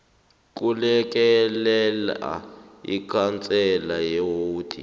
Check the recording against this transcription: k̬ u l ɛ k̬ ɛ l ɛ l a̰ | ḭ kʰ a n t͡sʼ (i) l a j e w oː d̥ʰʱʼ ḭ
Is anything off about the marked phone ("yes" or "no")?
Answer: yes